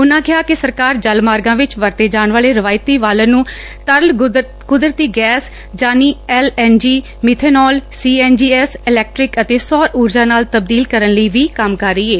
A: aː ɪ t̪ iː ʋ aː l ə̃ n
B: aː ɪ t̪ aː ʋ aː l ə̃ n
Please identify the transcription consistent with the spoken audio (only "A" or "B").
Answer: A